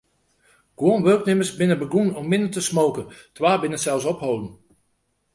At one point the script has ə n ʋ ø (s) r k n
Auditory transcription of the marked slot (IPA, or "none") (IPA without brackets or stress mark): none